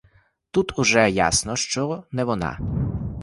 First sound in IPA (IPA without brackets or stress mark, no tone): t̪